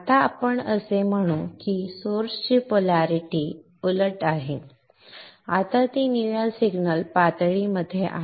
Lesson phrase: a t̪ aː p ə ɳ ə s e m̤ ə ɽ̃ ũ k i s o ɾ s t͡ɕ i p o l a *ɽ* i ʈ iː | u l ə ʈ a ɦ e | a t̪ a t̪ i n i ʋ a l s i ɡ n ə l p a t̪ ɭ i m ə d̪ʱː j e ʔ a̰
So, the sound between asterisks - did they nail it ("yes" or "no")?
no